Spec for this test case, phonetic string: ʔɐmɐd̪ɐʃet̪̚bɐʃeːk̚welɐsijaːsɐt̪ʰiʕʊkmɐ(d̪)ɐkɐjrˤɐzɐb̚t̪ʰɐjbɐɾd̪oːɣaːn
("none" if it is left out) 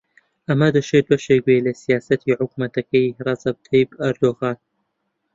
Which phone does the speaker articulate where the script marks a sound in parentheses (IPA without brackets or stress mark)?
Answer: t̪